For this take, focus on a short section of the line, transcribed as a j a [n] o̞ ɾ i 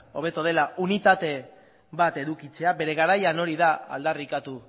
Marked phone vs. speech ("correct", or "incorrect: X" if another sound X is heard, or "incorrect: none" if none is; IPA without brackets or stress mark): correct